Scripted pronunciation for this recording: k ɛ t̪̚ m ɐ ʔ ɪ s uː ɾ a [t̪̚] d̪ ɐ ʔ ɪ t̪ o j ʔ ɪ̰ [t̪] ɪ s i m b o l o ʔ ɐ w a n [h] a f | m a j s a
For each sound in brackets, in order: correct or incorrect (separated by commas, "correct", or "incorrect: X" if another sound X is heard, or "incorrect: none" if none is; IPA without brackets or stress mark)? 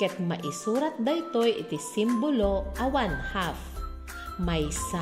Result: correct, correct, correct